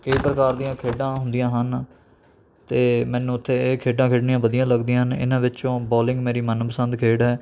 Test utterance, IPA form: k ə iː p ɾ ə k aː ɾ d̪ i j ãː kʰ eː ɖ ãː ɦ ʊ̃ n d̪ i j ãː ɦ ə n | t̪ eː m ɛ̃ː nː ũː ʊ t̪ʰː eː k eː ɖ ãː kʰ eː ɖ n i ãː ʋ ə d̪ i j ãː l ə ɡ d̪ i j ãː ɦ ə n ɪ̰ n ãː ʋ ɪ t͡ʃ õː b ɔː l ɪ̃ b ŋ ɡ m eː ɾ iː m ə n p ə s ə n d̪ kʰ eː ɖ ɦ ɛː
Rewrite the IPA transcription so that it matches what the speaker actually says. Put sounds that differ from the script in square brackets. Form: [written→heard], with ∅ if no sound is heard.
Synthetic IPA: k ə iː p ɾ ə k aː ɾ d̪ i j ãː kʰ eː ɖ ãː ɦ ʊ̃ n d̪ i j ãː ɦ ə n | t̪ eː m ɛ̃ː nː ũː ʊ t̪ʰː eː [k→kʰ] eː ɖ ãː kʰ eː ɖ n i ãː ʋ ə d̪ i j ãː l ə ɡ d̪ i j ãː ɦ ə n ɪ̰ n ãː ʋ ɪ t͡ʃ õː b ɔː l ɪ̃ [b→∅] ŋ ɡ m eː ɾ iː m ə n p ə s ə n d̪ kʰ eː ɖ ɦ ɛː